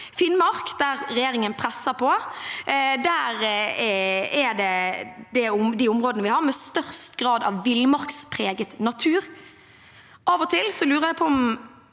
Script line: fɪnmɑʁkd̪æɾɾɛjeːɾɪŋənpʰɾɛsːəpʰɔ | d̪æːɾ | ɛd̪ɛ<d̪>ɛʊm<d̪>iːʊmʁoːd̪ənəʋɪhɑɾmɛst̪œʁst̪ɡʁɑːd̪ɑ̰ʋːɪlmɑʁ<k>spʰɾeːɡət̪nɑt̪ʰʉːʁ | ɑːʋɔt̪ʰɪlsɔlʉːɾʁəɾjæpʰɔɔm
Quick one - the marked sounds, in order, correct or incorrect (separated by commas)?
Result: correct, correct, correct